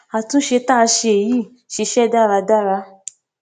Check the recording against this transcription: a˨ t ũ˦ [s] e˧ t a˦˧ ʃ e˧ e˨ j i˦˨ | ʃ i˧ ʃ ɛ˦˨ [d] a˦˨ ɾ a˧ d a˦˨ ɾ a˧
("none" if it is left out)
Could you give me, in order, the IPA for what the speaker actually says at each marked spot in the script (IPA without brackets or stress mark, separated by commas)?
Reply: ʃ, d